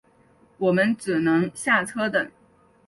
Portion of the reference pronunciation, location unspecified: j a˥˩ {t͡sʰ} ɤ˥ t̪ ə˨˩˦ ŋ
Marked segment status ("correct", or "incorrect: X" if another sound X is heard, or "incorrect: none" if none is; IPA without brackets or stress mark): correct